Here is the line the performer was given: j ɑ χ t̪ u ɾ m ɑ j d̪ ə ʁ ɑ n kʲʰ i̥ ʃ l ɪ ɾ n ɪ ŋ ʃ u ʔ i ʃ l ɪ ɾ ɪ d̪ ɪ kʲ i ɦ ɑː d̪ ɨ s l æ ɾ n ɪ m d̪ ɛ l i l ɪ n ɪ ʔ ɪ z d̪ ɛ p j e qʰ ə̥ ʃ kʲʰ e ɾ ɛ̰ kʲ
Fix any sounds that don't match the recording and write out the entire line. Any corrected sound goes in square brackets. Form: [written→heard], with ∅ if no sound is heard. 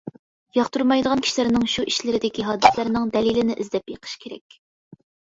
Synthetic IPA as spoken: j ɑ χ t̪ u ɾ m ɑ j d̪ ə ʁ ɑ n kʲʰ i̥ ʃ l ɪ ɾ n ɪ ŋ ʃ u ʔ i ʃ l ɪ ɾ ɪ d̪ ɪ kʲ i ɦ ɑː d̪ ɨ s l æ ɾ n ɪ [m→ŋ] d̪ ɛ l i l ɪ n ɪ ʔ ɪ z d̪ ɛ p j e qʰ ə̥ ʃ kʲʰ e ɾ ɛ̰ kʲ